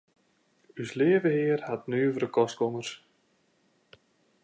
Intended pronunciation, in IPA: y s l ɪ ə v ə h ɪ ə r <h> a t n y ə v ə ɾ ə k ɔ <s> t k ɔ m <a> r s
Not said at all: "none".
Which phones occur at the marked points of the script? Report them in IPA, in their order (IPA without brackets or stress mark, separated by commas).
h, s, ə